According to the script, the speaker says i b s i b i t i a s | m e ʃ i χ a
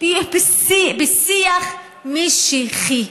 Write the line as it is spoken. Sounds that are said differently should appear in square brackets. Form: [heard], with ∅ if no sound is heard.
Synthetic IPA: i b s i b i [s] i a [χ] | m [i] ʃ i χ [i]